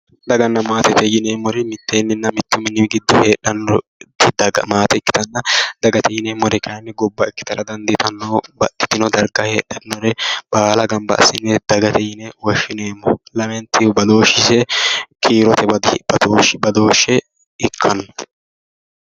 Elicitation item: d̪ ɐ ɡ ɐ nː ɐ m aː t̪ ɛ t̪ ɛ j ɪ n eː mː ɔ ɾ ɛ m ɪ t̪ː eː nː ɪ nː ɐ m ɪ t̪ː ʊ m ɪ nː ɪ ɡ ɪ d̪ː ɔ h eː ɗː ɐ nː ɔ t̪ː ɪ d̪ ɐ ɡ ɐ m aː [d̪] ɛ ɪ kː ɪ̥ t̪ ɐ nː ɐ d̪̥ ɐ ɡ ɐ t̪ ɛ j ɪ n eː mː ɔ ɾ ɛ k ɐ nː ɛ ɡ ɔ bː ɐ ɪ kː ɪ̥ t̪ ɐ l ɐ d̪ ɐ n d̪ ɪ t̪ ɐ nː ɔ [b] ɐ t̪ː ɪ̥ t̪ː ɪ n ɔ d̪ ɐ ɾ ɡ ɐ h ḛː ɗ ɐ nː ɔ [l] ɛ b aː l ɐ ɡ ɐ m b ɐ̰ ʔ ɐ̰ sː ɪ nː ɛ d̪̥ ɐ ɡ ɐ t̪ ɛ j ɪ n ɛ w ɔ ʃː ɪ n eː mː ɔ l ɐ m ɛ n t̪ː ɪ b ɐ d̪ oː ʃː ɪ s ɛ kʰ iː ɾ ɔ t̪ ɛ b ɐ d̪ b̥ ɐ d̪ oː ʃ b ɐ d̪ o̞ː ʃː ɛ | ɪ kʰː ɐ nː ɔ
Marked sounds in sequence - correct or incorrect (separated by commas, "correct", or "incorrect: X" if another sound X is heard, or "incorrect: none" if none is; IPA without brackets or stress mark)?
incorrect: t̪, correct, incorrect: ɾ